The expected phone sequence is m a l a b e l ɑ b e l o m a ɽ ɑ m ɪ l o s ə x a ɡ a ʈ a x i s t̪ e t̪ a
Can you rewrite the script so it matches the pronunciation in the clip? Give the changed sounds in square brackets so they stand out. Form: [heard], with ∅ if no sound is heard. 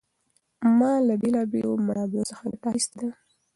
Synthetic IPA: m [ɑ] l a b e l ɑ b e l o m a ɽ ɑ [b] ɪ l o s ə x a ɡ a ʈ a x i s t̪ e [d̪] a

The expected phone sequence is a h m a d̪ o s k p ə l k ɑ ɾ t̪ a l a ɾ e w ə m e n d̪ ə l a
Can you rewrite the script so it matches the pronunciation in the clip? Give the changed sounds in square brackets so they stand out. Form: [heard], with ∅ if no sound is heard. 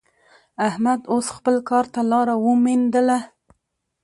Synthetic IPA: a h m a d̪ o s [x] p ə l k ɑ ɾ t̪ a l [ɑ] ɾ [a] w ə m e n d̪ ə l a

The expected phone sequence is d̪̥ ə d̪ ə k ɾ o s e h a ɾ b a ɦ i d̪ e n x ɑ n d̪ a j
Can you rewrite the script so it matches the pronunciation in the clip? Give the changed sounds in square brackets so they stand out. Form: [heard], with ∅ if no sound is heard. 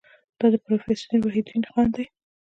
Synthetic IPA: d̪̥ [ɑ] d̪ ə [p] ɾ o [f] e [s] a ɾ [w] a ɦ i d̪ [i] n x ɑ n d̪ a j

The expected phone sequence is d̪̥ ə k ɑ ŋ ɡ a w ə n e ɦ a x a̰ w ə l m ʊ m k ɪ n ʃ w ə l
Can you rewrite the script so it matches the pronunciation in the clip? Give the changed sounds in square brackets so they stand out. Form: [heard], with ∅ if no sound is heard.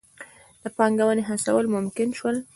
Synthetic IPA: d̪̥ ə [p] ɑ ŋ ɡ a w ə n e ɦ a [s] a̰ w ə l m ʊ m k ɪ n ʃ w ə l

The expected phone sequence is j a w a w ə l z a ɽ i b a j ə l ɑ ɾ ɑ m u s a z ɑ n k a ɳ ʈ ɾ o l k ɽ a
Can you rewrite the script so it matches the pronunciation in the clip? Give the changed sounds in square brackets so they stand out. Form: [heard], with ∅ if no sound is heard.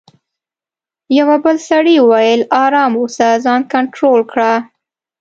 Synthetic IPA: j a w a [b] ə l [s] a ɽ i [w] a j ə l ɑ ɾ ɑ m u s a z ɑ n k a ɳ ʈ ɾ o l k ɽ a

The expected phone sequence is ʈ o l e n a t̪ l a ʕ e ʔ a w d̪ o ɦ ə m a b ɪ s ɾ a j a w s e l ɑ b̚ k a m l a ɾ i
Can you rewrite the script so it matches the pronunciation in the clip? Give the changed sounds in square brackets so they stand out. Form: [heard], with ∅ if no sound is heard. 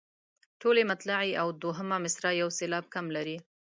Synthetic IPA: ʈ o l e [m] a t̪ l a ʕ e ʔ a w d̪ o ɦ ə m a [m] ɪ s ɾ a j a w s e l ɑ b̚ k a m l a ɾ i

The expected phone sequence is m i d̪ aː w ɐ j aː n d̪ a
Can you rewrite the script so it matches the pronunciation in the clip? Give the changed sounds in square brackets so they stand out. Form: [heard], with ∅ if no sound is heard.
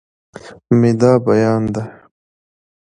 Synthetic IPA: m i d̪ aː [b] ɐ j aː n d̪ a

